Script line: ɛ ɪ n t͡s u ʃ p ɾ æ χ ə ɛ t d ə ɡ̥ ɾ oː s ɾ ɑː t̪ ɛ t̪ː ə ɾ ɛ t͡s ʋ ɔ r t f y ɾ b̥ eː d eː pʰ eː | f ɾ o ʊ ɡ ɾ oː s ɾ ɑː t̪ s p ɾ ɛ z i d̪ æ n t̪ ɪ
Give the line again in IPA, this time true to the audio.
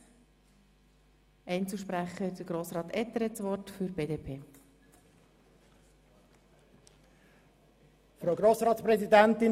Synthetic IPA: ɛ ɪ n t͡s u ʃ p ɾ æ χ ə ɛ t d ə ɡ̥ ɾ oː s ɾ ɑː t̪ ɛ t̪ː ə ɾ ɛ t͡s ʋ ɔ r t f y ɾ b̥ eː d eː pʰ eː | f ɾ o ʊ ɡ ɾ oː s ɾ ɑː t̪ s p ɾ ɛ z i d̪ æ n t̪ ɪ